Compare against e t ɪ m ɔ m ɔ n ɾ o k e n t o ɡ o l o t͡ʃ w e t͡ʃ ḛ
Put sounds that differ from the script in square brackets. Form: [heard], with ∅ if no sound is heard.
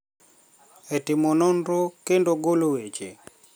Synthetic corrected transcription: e t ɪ m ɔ [n] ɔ n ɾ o k e n [d] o ɡ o l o [∅] w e t͡ʃ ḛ